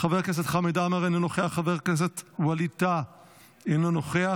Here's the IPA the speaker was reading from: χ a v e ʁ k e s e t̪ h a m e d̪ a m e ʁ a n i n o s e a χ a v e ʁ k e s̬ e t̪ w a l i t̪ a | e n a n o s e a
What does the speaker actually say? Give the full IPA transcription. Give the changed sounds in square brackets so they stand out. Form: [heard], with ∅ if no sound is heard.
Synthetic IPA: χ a v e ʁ k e s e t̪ [χ] a m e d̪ a m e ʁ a n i n o [χ] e a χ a v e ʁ k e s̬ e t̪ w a l i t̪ a | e n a n o [χ] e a